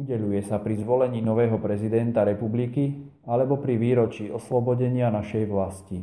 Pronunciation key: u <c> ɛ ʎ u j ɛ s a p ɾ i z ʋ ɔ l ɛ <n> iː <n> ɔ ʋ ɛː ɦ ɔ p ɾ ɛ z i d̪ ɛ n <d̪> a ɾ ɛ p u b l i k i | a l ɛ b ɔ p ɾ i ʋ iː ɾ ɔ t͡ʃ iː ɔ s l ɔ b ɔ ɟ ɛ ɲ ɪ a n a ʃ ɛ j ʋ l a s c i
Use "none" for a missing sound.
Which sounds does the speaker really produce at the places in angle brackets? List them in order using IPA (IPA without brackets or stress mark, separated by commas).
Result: ɟ, ɲ, n, t̪